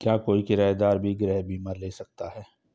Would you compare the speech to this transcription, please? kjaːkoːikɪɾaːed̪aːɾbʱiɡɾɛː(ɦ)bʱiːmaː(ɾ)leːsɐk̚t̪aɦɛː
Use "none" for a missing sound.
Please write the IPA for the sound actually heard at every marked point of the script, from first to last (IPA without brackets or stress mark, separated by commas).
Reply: ɦ, ɾ